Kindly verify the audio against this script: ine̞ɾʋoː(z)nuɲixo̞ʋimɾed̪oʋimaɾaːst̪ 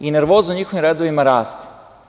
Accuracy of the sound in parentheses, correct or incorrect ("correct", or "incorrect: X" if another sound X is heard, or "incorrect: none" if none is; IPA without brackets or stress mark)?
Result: correct